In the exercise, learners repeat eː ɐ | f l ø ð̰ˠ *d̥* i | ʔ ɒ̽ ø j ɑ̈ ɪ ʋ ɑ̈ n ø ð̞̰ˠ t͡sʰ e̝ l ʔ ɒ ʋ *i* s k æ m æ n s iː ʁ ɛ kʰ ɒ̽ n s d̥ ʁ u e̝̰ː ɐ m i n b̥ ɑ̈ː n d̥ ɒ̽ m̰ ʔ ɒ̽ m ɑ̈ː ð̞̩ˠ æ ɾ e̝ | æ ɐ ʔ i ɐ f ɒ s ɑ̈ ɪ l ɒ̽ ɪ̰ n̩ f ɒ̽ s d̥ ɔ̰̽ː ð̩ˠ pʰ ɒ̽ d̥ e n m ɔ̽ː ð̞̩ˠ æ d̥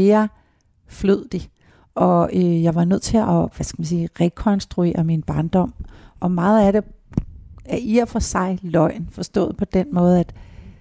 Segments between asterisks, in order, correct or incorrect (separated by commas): correct, incorrect